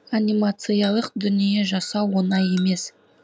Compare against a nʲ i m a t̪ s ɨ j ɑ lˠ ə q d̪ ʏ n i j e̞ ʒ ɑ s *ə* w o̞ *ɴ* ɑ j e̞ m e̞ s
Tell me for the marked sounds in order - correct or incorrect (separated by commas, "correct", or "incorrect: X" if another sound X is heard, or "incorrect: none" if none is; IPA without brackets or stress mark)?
incorrect: ɑ, incorrect: n